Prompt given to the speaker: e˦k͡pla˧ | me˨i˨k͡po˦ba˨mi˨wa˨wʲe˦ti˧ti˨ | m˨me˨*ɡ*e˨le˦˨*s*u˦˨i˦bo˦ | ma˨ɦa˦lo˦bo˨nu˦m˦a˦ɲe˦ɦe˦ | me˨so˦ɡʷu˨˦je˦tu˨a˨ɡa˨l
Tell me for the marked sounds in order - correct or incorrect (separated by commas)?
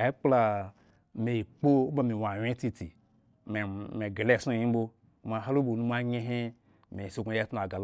correct, correct